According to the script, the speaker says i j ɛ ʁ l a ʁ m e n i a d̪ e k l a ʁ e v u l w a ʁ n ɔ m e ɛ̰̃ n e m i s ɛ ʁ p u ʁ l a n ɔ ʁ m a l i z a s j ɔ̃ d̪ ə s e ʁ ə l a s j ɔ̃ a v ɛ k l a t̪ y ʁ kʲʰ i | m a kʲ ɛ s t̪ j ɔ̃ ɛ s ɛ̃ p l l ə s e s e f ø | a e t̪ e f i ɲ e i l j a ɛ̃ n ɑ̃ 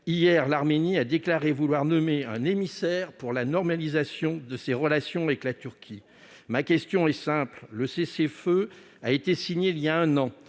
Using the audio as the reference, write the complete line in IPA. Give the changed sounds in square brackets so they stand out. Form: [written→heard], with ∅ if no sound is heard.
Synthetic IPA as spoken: i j ɛ ʁ l a ʁ m e n i a d̪ e k l a ʁ e v u l w a ʁ n ɔ m e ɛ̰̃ n e m i s ɛ ʁ p u ʁ l a n ɔ ʁ m a l i z a s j ɔ̃ d̪ ə s e ʁ ə l a s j ɔ̃ a v ɛ k l a t̪ y ʁ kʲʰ i | m a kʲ ɛ s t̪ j ɔ̃ ɛ s ɛ̃ p l l ə s e s e f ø | a e t̪ e [f→s] i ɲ e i l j a ɛ̃ n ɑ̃